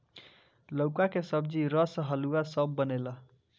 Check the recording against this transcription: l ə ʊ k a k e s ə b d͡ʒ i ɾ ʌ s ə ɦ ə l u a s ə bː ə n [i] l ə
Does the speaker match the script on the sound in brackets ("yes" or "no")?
no